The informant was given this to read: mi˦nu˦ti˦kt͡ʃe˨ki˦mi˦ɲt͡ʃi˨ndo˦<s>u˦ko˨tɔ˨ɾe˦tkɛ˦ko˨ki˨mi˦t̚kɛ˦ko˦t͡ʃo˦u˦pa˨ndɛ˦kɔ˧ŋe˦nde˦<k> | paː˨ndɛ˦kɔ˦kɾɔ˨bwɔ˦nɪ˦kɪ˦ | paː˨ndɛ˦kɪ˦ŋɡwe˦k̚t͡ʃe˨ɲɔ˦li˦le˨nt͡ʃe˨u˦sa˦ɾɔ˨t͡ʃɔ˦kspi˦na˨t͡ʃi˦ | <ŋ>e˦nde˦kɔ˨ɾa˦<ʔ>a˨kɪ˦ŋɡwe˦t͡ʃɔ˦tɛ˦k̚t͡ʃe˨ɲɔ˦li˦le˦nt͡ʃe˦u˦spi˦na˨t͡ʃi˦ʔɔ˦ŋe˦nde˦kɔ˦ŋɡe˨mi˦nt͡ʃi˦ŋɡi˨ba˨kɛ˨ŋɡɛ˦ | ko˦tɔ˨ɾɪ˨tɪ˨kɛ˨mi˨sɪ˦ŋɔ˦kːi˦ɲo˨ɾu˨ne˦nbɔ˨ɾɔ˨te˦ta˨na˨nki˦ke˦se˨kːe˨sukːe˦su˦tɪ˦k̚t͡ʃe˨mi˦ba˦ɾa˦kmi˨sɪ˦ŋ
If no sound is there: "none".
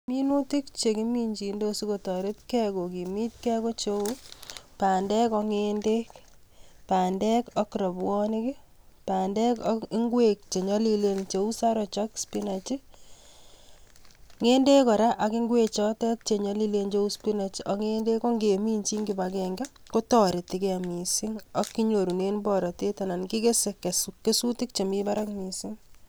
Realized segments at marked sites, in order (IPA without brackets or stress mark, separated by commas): s, k, ŋ, ʔ